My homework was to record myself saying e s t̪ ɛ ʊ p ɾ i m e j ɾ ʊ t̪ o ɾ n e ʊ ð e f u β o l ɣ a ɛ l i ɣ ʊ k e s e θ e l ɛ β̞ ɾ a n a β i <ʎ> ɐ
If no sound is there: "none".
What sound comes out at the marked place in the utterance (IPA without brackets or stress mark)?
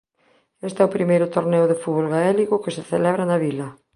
l